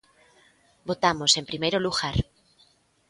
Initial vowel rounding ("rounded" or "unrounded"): rounded